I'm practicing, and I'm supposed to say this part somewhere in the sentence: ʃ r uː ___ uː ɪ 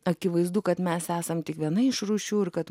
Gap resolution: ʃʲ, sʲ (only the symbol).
ʃʲ